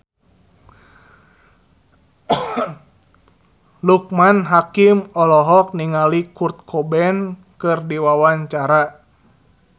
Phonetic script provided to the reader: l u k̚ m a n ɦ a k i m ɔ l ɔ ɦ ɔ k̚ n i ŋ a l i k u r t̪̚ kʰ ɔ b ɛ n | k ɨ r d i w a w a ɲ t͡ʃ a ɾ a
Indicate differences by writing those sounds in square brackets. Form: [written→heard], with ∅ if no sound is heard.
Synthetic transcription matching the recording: l u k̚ m a n ɦ a k i m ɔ l ɔ ɦ ɔ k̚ n i ŋ a l i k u r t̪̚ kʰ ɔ b ɛ n | k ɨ r d i w a w a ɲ t͡ʃ a ɾ a